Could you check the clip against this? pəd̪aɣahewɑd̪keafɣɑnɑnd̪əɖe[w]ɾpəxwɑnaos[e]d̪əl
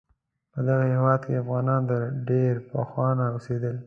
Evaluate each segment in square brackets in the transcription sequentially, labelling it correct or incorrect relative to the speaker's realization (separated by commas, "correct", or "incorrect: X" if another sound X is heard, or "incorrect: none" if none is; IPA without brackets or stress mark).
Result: incorrect: none, correct